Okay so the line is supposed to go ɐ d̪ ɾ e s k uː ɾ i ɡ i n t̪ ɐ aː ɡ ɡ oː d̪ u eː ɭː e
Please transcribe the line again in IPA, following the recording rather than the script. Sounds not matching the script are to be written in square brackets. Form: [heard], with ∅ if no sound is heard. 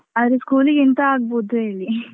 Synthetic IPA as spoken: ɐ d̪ ɾ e s k uː [l] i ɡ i n t̪ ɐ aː ɡ [b] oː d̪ u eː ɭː [i]